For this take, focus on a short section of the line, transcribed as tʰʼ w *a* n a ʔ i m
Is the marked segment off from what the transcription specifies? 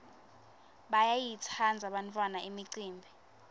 no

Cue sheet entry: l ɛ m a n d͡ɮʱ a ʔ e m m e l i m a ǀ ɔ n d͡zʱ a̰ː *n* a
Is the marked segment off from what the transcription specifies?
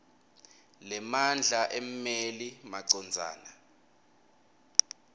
no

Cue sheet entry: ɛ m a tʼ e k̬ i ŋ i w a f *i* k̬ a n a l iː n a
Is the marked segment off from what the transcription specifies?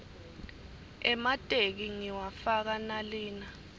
yes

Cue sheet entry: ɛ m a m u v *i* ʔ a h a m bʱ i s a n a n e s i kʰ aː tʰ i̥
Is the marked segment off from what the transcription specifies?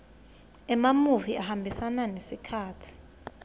no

